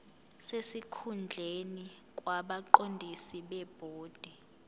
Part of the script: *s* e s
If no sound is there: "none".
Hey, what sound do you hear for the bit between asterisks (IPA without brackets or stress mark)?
s